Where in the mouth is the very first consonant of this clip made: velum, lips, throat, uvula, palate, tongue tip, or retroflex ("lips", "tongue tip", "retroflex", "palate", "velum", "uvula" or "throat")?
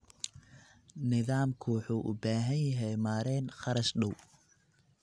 tongue tip